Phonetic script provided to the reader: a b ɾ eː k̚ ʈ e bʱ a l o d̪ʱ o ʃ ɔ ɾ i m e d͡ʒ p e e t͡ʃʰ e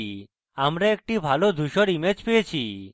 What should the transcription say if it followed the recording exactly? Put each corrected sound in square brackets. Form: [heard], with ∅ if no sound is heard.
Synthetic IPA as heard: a [m] ɾ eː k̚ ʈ [i] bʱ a l o d̪ʱ [u] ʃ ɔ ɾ i m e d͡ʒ p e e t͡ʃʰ [i]